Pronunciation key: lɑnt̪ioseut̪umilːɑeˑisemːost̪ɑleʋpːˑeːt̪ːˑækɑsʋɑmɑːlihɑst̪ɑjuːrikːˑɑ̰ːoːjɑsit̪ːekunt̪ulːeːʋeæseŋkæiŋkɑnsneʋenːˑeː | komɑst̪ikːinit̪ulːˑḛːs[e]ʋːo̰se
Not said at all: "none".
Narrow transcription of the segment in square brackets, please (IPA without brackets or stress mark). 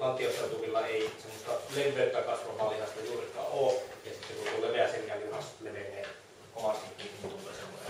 e